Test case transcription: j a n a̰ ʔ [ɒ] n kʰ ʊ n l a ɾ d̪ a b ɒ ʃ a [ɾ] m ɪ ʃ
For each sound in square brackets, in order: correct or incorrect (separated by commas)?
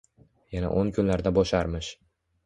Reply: incorrect, correct